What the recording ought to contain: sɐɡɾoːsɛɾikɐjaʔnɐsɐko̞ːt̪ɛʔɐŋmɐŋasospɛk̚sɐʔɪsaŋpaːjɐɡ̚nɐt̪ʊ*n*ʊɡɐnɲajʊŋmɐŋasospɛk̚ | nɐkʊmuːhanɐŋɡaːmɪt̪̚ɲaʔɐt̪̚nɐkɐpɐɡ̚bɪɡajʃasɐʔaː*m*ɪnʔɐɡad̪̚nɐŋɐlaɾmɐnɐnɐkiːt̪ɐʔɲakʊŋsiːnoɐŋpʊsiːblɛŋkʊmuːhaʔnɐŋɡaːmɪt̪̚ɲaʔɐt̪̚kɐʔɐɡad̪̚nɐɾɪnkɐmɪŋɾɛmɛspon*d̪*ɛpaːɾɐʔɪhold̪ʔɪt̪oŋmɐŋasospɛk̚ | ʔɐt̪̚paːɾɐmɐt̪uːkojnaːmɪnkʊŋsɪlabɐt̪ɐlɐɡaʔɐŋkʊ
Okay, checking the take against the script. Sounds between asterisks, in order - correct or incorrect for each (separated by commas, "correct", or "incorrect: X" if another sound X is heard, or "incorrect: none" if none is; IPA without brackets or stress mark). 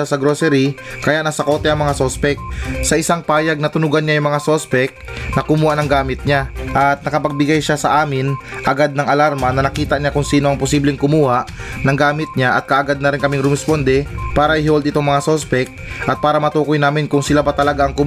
correct, correct, correct